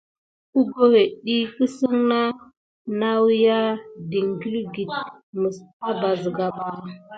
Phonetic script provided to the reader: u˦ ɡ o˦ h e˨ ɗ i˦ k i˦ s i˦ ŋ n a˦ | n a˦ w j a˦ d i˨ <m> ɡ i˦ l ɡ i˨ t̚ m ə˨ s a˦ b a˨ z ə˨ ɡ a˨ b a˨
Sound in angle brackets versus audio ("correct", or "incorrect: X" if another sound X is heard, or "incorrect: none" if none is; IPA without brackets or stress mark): incorrect: ŋ